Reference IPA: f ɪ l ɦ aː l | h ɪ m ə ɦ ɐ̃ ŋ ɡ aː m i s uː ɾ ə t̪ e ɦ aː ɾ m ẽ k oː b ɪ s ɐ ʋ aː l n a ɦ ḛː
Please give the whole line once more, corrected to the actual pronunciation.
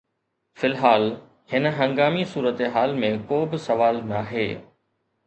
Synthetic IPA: f ɪ l ɦ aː l | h ɪ n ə ɦ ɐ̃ ŋ ɡ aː m i s uː ɾ ə t̪ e ɦ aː l m ẽ k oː b ɪ s ɐ ʋ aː l n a ɦ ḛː